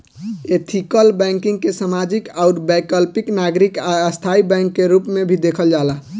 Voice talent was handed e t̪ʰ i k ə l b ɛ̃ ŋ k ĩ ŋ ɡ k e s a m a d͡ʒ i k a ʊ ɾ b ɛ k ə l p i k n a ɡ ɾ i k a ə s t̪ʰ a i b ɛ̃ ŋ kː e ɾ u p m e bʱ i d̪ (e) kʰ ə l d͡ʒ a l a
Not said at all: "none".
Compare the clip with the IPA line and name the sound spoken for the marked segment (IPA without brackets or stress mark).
e